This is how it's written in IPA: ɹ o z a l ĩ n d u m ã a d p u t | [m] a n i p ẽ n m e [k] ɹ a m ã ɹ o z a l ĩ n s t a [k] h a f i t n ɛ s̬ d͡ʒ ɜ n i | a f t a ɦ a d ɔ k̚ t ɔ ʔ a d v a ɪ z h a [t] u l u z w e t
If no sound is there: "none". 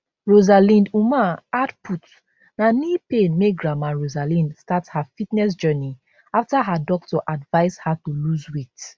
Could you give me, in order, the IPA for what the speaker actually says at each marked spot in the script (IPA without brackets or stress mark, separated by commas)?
n, ɡ, t, t